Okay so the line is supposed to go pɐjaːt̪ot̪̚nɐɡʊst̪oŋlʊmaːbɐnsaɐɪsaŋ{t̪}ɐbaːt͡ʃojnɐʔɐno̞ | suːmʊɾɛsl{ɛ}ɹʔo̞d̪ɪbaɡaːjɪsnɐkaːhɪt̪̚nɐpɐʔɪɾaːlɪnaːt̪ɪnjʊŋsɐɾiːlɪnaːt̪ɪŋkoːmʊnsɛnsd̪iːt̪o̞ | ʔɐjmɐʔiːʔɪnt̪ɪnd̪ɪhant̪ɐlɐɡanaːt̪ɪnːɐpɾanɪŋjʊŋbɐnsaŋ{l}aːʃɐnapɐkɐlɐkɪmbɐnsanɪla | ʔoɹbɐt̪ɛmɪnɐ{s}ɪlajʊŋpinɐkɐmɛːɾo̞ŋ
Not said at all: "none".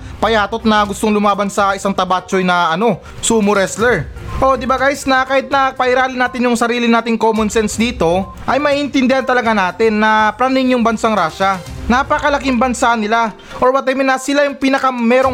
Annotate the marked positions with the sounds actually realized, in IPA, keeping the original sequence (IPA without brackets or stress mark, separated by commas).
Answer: t̪, ɛ, ɾ, s